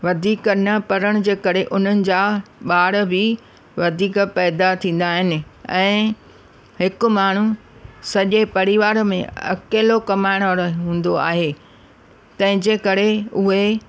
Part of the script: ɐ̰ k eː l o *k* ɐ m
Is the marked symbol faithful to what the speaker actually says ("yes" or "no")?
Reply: yes